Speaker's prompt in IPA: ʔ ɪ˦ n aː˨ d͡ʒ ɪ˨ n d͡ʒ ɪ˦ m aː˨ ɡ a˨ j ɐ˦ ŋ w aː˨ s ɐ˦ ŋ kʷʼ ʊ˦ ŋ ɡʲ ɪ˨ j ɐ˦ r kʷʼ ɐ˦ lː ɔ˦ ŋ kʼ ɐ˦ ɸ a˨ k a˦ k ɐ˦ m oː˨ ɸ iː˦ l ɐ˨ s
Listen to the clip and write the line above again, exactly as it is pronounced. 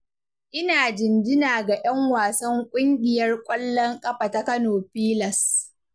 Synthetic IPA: ʔ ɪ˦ n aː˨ d͡ʒ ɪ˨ n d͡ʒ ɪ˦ n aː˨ ɡ a˨ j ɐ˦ ŋ w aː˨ s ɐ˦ ŋ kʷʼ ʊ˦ ŋ ɡʲ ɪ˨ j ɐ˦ r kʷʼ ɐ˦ lː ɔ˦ ŋ kʼ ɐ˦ ɸ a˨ t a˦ k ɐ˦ n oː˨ ɸ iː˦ l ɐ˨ s